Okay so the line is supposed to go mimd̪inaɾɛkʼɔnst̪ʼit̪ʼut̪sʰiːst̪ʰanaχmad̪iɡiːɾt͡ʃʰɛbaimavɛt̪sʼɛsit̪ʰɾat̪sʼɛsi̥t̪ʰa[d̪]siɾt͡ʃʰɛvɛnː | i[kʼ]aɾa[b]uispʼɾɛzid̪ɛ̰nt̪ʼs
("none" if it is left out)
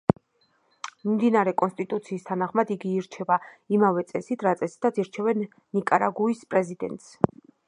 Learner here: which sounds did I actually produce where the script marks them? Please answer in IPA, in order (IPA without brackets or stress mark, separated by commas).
t̪, kʼ, ɡ